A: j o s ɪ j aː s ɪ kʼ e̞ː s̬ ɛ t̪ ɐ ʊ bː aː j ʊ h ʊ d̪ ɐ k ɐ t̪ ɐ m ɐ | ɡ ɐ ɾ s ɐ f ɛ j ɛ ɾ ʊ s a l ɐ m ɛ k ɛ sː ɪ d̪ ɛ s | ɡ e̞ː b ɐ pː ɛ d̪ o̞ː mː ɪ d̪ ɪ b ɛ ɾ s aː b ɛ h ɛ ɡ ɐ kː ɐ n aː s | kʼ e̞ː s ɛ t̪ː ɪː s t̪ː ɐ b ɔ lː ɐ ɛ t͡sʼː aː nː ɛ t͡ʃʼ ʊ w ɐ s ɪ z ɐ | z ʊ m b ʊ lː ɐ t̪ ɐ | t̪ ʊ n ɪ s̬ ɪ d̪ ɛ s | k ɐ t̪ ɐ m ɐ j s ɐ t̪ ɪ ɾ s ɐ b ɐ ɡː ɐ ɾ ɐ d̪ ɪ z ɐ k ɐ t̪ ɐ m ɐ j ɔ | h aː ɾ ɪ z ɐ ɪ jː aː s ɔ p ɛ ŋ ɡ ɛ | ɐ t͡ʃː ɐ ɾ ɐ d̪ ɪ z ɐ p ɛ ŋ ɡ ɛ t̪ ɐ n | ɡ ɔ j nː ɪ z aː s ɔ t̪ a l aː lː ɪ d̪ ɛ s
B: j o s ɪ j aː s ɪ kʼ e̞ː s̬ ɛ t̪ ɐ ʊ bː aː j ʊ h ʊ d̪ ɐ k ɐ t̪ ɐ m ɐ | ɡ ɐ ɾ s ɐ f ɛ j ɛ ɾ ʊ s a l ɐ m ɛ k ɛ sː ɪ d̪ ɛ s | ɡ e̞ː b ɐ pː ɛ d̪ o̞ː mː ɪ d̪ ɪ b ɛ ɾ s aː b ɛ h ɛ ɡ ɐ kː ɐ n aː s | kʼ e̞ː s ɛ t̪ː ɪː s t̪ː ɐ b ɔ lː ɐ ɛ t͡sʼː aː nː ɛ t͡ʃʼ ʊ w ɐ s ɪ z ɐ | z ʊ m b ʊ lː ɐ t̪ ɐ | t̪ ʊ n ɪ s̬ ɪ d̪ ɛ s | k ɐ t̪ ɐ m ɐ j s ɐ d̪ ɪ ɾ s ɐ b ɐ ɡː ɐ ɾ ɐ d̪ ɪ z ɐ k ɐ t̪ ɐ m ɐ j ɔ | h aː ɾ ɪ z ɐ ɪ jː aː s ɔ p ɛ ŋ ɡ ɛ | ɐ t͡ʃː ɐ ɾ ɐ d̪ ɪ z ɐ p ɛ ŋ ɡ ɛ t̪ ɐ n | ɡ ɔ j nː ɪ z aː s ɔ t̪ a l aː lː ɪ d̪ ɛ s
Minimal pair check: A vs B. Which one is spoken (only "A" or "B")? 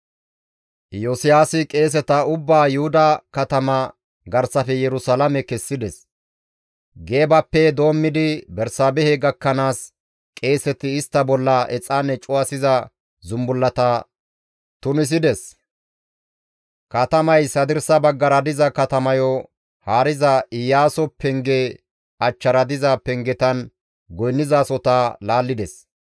B